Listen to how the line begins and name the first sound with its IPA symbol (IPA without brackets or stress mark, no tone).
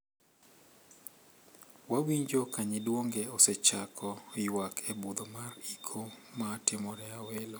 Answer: w